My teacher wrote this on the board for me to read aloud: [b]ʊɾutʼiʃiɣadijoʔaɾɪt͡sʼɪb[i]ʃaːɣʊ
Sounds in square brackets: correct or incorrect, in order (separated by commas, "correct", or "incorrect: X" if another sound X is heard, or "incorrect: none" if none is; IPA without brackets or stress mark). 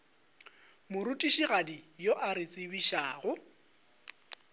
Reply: incorrect: m, correct